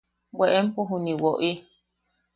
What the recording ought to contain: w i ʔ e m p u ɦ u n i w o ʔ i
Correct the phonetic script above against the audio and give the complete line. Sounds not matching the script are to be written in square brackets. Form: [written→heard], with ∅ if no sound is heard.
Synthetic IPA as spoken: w [i→e] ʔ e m p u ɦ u n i w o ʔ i